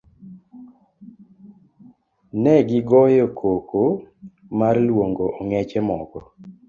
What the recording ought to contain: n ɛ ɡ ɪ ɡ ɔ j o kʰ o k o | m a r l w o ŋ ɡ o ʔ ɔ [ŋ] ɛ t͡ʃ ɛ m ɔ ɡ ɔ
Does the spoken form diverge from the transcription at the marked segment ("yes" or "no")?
no